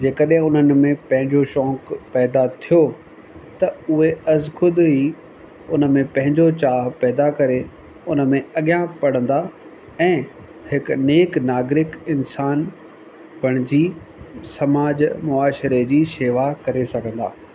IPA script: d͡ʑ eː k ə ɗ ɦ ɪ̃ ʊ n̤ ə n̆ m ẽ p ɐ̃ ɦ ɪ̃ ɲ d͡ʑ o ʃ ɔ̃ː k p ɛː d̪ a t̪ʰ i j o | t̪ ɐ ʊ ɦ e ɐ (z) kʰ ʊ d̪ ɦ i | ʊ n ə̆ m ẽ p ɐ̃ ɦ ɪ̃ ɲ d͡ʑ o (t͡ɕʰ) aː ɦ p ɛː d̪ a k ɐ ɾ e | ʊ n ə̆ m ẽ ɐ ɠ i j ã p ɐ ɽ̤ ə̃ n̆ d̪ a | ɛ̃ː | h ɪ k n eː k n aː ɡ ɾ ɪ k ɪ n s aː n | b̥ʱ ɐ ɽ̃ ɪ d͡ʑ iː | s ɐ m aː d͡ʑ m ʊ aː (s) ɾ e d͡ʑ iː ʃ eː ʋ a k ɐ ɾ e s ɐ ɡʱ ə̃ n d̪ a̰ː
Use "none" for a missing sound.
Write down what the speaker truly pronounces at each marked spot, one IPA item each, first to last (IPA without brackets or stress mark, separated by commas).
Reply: z, t͡ɕ, ʃ